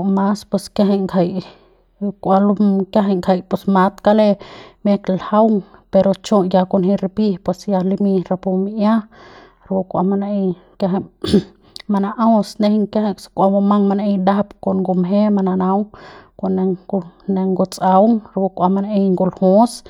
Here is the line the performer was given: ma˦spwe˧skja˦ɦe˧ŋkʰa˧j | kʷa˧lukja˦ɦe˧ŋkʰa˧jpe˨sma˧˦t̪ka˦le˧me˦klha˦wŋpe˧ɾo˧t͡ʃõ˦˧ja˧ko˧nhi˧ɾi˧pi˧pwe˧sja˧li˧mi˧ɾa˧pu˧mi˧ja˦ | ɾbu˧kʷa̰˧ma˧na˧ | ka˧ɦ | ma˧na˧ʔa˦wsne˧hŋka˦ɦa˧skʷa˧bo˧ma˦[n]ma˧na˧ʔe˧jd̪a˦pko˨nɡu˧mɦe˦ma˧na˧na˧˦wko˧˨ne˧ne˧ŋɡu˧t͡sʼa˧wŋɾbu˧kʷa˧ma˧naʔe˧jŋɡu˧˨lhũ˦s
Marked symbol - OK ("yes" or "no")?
no